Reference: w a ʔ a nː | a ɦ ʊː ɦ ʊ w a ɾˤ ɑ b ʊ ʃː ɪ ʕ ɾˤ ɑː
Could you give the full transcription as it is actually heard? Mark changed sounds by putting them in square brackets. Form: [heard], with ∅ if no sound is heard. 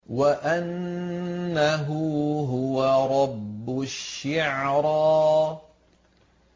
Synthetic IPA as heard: w a ʔ a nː | a ɦ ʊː ɦ ʊ w a ɾˤ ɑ [bː] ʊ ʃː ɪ ʕ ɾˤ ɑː